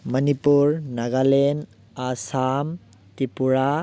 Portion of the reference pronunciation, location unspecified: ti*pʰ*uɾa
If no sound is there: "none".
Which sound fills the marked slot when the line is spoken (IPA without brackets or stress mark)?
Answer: p